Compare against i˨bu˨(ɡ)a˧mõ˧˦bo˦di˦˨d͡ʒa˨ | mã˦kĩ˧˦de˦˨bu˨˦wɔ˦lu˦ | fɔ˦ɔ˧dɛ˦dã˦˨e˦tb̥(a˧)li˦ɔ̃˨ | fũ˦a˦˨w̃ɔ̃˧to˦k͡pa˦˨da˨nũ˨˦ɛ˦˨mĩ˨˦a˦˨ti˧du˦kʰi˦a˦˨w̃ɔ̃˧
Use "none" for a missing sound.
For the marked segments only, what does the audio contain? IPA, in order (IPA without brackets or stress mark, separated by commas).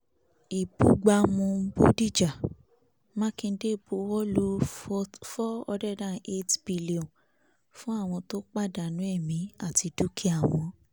ɡ͡b, i˧